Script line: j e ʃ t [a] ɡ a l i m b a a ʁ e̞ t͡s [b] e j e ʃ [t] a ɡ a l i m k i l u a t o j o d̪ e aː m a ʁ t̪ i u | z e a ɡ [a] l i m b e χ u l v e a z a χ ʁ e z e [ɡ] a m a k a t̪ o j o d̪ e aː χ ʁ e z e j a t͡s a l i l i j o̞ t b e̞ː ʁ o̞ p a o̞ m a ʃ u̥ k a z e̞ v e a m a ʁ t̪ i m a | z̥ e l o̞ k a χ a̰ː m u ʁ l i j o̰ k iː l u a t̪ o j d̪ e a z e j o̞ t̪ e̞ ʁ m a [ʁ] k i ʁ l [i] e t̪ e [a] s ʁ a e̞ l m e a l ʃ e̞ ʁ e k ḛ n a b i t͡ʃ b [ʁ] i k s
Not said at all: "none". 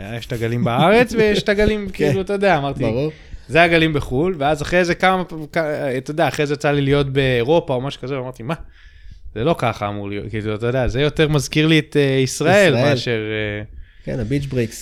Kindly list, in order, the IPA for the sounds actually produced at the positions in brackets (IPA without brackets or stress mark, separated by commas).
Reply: a, v, t, a, k, z, i, i, ʁ